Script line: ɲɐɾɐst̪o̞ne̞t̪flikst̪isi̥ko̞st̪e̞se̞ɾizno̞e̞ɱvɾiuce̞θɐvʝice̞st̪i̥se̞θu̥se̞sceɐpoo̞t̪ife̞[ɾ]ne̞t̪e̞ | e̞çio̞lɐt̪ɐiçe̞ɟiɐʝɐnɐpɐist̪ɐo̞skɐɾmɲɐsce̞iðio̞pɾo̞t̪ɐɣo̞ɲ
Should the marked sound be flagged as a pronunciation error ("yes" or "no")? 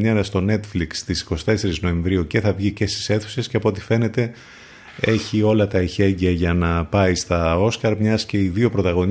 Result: yes